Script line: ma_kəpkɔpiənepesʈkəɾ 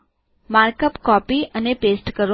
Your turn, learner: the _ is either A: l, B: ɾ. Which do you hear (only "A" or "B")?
B